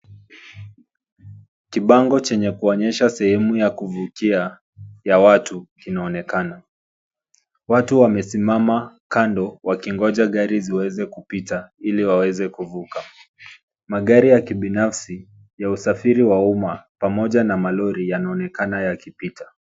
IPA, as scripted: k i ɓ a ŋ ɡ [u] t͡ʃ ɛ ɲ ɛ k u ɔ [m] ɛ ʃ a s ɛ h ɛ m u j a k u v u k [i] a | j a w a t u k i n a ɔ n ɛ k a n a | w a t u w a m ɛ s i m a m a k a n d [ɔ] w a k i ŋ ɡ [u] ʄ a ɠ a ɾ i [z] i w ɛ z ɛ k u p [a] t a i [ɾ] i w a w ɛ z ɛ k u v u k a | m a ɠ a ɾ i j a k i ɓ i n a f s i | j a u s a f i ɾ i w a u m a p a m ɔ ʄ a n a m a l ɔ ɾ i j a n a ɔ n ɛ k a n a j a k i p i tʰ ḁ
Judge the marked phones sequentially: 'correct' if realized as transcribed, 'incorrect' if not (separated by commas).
incorrect, incorrect, correct, correct, incorrect, correct, incorrect, incorrect